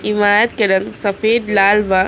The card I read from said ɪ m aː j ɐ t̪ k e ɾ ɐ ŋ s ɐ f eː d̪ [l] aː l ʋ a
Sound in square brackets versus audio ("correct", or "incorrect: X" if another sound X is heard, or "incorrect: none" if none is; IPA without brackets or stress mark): correct